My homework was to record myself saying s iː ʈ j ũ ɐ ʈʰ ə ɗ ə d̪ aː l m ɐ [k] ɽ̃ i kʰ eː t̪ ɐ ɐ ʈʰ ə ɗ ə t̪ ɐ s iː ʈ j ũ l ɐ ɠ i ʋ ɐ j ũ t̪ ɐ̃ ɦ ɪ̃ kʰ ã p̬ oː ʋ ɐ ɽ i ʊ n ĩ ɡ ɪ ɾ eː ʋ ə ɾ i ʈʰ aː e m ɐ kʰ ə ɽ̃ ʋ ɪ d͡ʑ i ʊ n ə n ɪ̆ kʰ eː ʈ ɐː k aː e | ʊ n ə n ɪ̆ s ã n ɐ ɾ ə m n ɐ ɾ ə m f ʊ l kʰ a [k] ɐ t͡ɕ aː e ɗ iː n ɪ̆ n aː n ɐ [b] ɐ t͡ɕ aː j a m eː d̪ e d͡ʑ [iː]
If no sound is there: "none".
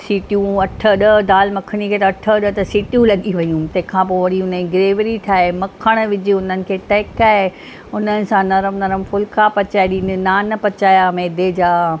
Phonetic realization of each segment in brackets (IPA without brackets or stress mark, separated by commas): kʰ, p, p, aː